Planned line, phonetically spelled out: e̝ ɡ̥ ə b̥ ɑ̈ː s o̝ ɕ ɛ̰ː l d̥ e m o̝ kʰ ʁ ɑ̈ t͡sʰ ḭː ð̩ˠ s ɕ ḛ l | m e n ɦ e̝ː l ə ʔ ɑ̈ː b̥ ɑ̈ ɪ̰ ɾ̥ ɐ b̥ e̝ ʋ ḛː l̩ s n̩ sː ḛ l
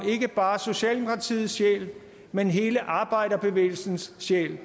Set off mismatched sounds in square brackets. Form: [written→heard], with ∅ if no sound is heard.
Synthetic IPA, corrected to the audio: e̝ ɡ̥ ə b̥ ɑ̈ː s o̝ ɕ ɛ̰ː l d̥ e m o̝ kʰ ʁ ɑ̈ t͡sʰ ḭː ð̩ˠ s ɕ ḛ l | m e n ɦ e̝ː l ə ʔ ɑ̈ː b̥ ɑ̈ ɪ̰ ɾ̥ ɐ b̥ e̝ ʋ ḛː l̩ s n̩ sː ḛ l